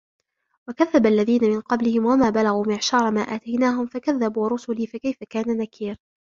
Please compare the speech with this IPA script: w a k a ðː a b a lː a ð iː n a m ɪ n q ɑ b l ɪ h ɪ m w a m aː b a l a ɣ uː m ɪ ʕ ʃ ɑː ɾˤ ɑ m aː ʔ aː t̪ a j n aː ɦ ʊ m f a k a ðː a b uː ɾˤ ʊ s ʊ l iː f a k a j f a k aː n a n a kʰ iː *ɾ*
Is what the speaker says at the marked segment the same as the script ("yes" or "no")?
yes